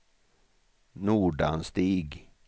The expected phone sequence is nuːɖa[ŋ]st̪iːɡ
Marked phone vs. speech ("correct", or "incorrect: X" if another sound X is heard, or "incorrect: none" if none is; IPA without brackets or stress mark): incorrect: n